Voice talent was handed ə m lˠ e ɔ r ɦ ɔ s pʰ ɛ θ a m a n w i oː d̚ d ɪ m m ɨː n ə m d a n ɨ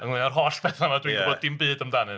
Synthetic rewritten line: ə ŋ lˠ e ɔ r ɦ ɔ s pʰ ɛ θ a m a d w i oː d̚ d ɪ m b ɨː d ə m d a n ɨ